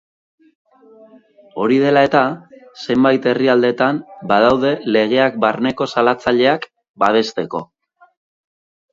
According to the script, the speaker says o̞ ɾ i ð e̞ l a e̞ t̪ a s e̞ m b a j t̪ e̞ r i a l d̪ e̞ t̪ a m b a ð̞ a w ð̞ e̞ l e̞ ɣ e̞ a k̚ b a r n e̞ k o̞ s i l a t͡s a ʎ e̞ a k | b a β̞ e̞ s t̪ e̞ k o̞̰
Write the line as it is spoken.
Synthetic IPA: o̞ ɾ i ð e̞ l a e̞ t̪ a s e̞ m b a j t̪ e̞ r i a l d̪ e̞ t̪ a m b a ð̞ a w ð̞ e̞ l e̞ ɣ e̞ a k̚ b a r n e̞ k o̞ s a l a t͡s a ʎ e̞ a k | b a β̞ e̞ s t̪ e̞ k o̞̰